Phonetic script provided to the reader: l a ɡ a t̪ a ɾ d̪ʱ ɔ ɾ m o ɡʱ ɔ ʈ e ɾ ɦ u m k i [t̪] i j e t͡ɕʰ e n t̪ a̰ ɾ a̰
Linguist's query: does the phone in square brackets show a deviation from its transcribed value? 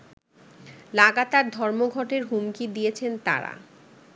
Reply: yes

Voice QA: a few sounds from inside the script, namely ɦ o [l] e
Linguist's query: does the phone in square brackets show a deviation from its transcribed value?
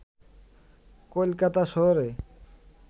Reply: yes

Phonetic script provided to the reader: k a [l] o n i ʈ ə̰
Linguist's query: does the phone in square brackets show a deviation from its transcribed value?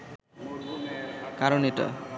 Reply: yes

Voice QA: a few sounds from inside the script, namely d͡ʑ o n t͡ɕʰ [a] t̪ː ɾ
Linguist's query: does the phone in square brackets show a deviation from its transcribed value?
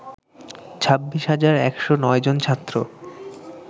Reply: no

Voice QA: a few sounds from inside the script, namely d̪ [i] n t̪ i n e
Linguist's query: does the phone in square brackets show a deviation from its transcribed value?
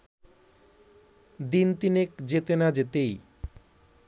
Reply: no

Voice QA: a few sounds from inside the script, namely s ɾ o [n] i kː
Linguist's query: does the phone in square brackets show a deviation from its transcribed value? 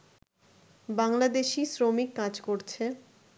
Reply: yes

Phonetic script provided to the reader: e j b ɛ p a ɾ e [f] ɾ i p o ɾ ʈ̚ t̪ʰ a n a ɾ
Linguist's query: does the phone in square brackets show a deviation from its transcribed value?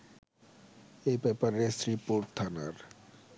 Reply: yes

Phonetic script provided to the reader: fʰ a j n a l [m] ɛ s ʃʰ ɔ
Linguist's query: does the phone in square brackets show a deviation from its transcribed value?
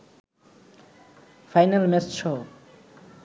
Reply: no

